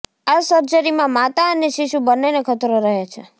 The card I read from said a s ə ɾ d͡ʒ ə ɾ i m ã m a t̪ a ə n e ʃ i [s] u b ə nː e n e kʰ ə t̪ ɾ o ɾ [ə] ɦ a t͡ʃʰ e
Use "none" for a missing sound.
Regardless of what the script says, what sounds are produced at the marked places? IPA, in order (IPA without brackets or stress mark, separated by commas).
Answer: ʃ, ə